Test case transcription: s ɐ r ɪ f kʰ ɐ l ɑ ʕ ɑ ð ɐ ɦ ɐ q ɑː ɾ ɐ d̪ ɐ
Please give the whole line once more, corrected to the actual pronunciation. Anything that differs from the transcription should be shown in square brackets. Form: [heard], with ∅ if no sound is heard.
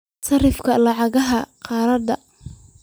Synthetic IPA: s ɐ r ɪ f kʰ ɐ l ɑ ʕ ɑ [ɣ] ɐ ɦ ɐ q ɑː ɾ ɐ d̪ ɐ

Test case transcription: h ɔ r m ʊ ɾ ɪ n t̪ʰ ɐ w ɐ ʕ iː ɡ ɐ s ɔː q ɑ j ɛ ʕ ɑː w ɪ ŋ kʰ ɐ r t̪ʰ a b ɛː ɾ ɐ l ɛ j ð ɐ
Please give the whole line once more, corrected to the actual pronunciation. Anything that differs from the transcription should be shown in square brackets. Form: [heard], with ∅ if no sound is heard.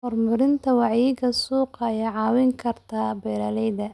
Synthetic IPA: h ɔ r m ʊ ɾ ɪ n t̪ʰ ɐ w [ɑ] ʕ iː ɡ ɐ s [uː] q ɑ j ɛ ʕ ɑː w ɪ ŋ kʰ ɐ r t̪ʰ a b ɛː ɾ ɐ l ɛ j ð ɐ

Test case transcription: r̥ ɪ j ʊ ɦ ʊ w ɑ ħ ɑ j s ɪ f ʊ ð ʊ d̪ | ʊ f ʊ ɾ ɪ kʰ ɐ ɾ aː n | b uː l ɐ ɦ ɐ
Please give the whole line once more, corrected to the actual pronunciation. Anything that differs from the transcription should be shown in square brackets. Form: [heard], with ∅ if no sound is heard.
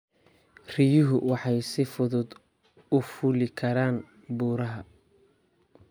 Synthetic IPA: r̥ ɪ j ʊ ɦ ʊ w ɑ ħ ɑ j s ɪ f ʊ ð ʊ d̪ | ʊ f ʊ [l] ɪ kʰ ɐ ɾ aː n | b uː [ɾ] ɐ ɦ ɐ

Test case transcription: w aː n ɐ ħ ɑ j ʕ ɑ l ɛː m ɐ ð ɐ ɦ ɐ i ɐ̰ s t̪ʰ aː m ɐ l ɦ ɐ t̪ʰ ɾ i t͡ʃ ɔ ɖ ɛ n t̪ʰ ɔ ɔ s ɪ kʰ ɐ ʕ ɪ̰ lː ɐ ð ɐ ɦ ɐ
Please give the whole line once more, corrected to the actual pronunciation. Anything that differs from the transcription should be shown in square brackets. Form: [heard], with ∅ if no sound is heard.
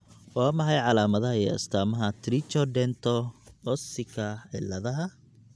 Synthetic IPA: w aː [m] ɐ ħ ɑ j ʕ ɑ l [aː] m ɐ ð ɐ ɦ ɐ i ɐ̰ s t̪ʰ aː m ɐ [∅] ɦ ɐ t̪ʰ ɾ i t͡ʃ ɔ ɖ ɛ n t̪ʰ ɔ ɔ s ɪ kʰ ɐ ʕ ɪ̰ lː ɐ ð ɐ ɦ ɐ

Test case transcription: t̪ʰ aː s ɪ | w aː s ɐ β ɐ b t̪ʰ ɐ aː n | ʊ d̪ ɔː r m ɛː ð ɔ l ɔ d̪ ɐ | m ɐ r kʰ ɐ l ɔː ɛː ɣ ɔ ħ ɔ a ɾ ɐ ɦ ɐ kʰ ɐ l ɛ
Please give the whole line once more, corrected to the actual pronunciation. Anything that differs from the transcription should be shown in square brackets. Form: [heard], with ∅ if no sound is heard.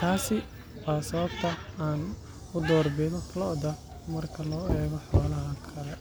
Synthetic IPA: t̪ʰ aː s ɪ | w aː s ɐ β ɐ b t̪ʰ ɐ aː n | ʊ d̪ ɔː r [b] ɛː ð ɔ l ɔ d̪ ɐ | m ɐ r kʰ ɐ l ɔː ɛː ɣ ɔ ħ ɔ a [l] ɐ ɦ ɐ kʰ ɐ l ɛ

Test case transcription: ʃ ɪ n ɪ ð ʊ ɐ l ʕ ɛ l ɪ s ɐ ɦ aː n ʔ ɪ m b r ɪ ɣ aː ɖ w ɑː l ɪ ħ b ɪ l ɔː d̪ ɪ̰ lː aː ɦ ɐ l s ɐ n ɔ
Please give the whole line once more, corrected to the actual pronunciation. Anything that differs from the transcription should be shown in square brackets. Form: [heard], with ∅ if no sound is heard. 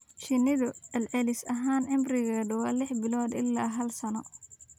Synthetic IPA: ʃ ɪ n ɪ ð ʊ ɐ l ʕ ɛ l ɪ s ɐ ɦ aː n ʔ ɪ m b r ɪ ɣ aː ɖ w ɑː l ɪ ħ b ɪ l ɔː d̪ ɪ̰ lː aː ɦ ɐ l s ɐ n ɔ

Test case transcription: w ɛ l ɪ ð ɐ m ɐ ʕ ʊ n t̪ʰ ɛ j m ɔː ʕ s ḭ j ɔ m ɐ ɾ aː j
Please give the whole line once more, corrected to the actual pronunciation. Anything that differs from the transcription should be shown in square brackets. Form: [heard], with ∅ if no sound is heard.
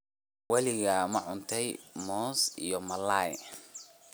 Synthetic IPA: w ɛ l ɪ [ɣ] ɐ m ɐ ʕ ʊ n t̪ʰ ɛ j m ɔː [∅] s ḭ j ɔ m ɐ [l] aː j

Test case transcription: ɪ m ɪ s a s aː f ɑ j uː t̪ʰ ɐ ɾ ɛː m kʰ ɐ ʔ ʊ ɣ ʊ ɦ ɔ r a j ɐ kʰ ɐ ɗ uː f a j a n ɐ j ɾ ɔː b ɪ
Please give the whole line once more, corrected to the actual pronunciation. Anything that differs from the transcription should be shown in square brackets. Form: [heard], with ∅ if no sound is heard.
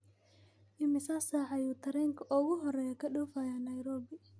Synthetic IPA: ɪ m ɪ s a s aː [ħ] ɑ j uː t̪ʰ ɐ ɾ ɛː [ŋ] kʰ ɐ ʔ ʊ ɣ ʊ ɦ ɔ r [ɛ] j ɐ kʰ ɐ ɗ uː f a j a n ɐ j ɾ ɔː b ɪ

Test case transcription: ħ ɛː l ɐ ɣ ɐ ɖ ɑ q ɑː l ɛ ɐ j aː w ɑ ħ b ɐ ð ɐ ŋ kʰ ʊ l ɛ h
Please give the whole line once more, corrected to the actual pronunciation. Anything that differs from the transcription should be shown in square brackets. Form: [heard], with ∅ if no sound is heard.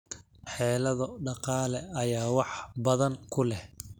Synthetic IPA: ħ ɛː l ɐ [ð] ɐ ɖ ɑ q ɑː l ɛ ɐ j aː w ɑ ħ b ɐ ð ɐ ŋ kʰ ʊ l ɛ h

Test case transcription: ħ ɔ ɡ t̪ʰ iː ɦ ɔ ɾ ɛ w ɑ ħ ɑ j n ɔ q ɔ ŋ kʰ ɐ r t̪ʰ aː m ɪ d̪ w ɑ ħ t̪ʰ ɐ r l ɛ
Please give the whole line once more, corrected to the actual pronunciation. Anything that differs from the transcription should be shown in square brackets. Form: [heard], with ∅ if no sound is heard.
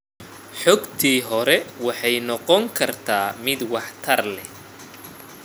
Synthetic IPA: ħ ɔ ɡ t̪ʰ iː ɦ ɔ ɾ ɛ w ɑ ħ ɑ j n ɔ q ɔ ŋ kʰ ɐ r t̪ʰ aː m ɪ d̪ w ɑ ħ t̪ʰ ɐ r l ɛ

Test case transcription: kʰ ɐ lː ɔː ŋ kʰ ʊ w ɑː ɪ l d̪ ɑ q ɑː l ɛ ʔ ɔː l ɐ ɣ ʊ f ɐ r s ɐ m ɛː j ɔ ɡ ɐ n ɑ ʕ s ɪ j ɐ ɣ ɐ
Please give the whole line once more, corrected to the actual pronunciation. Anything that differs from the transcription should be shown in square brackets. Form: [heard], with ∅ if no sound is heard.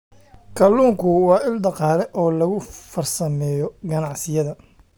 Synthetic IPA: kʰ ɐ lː [uː] ŋ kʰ ʊ w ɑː ɪ l d̪ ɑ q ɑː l ɛ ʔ ɔː l ɐ ɣ ʊ f ɐ r s ɐ m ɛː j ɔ ɡ ɐ n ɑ ʕ s ɪ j ɐ [ð] ɐ

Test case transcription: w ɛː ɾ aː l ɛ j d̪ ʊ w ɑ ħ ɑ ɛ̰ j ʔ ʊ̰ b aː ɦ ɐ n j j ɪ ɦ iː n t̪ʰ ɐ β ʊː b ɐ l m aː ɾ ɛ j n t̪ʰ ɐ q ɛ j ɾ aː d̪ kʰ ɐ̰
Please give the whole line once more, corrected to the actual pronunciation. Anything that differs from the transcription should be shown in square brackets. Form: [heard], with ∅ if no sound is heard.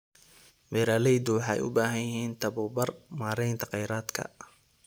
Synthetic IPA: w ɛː ɾ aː l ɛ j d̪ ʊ w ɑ ħ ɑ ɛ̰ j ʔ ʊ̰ b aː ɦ ɐ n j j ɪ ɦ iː n t̪ʰ ɐ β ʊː b ɐ [r] m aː ɾ ɛ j n t̪ʰ ɐ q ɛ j ɾ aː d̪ kʰ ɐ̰

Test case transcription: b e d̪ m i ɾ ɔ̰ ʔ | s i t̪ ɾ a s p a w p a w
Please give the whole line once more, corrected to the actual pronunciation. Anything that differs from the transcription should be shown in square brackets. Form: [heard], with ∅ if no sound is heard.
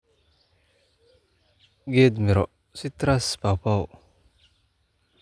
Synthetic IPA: [ɡ] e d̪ m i ɾ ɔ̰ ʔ | s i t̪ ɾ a s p a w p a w

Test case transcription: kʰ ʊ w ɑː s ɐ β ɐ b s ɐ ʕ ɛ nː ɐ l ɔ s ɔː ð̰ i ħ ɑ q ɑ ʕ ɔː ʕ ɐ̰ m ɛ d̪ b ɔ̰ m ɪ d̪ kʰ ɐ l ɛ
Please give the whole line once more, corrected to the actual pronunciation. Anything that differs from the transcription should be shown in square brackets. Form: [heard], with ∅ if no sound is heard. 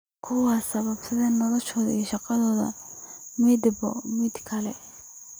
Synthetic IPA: kʰ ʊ w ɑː s ɐ β ɐ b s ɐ [ð] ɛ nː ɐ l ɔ [ʃ] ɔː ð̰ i [ʃ] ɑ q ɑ [ð] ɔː [ð] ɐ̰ m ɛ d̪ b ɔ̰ m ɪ d̪ kʰ ɐ l ɛ

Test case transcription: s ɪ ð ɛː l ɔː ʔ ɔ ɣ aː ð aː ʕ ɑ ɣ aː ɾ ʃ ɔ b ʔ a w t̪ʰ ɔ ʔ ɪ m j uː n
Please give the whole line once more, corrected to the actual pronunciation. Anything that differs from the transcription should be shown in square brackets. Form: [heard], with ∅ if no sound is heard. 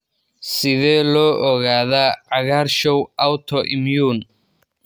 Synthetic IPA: s ɪ ð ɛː l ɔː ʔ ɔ ɣ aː ð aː ʕ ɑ ɣ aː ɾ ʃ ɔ [w] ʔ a w t̪ʰ ɔ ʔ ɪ m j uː n

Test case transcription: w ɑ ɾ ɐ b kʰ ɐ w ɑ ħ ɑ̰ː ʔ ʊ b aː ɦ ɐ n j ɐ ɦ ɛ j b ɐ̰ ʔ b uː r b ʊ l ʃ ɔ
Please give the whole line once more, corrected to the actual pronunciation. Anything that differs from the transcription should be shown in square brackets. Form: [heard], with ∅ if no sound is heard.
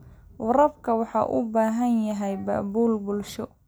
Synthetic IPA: w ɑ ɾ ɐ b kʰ ɐ w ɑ ħ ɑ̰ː ʔ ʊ b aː ɦ ɐ n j ɐ ɦ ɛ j b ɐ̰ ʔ b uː [l] b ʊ l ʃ ɔ

